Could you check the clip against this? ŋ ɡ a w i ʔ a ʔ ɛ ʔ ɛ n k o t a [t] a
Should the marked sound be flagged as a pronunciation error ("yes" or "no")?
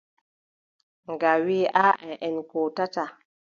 no